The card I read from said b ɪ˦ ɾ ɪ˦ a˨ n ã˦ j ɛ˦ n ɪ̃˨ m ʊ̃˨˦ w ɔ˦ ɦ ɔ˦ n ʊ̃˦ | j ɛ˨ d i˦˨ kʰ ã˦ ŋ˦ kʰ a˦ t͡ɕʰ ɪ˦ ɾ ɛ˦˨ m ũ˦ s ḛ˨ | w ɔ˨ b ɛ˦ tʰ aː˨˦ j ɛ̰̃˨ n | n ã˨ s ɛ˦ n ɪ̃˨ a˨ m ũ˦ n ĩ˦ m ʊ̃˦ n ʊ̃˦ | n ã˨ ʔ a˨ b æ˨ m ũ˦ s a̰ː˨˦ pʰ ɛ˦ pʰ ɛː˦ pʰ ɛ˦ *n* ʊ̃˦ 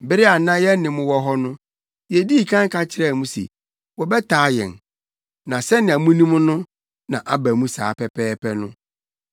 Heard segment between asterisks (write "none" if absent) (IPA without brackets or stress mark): n